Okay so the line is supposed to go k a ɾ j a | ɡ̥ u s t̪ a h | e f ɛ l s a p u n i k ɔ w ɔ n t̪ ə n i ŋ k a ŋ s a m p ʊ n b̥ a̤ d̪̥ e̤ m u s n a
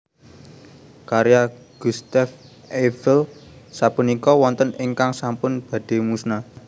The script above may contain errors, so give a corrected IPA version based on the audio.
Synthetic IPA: k a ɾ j a | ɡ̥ u s t̪ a f | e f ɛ l s a p u n i k ɔ w ɔ n t̪ ə n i ŋ k a ŋ s a m p ʊ n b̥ a̤ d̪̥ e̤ m u s n a